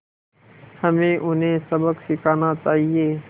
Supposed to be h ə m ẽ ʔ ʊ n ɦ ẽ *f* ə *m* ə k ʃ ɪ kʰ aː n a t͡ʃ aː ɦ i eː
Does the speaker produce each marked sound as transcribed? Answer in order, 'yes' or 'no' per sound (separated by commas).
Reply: no, no